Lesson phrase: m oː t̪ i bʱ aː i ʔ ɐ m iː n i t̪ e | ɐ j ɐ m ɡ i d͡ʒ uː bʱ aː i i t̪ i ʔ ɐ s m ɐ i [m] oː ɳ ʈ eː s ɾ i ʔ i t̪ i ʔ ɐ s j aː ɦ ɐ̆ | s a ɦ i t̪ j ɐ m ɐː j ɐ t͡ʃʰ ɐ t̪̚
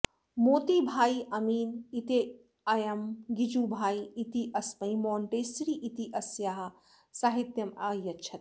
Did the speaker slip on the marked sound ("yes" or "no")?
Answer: no